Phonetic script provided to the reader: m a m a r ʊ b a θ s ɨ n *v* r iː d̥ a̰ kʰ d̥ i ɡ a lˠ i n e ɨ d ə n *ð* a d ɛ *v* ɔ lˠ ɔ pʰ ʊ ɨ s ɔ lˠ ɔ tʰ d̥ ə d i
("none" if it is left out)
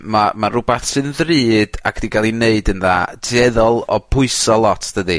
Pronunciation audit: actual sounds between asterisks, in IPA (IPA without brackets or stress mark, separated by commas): ð, ð, ð